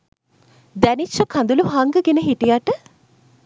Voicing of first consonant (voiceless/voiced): voiced